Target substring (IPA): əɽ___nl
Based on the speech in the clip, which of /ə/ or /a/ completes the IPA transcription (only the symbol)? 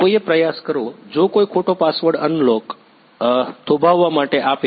ə